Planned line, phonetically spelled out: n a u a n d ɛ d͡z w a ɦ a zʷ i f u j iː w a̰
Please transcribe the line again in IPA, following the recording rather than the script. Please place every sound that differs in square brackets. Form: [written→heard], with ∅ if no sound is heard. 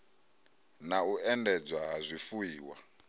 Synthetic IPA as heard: n a u [a→ɛ] n d ɛ d͡z w a ɦ a zʷ i f u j iː w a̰